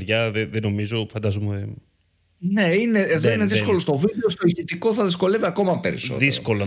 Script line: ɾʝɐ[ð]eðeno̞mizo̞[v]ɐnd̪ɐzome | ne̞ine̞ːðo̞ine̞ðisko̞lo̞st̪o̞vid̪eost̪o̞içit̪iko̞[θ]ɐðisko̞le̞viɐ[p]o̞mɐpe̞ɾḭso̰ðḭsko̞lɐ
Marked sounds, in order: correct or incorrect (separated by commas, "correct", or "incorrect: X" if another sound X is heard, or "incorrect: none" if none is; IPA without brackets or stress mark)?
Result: correct, incorrect: f, correct, incorrect: k